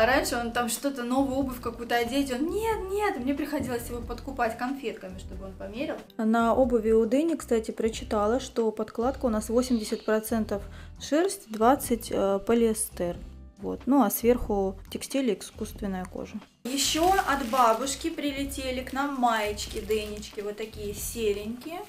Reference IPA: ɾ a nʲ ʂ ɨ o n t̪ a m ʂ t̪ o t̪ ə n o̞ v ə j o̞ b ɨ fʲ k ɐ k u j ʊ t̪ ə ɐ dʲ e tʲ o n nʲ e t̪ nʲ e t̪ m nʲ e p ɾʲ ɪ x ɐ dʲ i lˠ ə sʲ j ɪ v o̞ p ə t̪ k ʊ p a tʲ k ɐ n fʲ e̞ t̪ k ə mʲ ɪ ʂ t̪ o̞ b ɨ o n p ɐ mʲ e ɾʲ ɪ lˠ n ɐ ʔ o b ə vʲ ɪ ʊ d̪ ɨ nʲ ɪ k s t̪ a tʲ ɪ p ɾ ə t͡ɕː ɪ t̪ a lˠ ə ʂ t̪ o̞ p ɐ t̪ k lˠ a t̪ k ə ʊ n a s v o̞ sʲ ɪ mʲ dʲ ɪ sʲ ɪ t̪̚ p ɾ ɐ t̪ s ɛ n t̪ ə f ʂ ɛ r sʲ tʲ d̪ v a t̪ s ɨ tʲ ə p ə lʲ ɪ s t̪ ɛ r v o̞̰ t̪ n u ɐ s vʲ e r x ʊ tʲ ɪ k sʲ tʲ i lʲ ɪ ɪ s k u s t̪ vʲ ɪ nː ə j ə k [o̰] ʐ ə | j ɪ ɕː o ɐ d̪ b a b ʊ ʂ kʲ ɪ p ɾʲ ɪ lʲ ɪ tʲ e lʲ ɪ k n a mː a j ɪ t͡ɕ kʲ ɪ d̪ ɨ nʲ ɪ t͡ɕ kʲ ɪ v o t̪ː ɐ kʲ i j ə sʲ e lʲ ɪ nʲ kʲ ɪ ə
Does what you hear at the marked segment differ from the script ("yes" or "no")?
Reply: no